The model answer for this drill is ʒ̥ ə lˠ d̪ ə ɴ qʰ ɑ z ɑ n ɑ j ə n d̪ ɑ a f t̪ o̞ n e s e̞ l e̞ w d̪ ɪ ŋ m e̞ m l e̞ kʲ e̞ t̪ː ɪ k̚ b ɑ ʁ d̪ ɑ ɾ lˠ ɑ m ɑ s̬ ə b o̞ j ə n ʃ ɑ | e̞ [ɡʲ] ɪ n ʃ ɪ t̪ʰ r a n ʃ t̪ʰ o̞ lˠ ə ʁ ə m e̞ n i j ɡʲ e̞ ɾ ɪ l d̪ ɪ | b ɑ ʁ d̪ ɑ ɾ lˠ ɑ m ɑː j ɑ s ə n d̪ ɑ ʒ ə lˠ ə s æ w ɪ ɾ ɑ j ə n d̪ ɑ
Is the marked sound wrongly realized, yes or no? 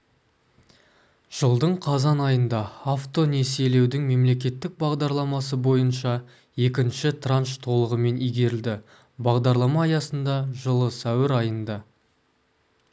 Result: yes